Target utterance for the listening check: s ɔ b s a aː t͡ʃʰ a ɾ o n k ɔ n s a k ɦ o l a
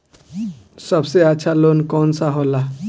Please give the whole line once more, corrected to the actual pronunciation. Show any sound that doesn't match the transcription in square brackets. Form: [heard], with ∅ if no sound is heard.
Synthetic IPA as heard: s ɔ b s [e] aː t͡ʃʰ a [l] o n k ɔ n s a [∅] ɦ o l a